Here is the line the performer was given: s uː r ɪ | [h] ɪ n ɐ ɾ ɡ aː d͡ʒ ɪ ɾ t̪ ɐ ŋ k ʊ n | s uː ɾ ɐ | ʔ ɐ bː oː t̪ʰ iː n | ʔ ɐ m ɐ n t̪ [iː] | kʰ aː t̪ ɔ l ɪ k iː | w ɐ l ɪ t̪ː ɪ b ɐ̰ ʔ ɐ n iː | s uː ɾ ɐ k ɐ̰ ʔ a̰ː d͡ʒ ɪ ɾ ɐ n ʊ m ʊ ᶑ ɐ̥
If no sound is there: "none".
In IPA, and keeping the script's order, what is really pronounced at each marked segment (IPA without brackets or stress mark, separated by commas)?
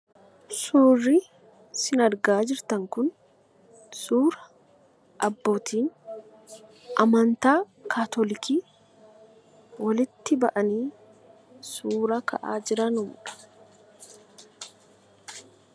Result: s, aː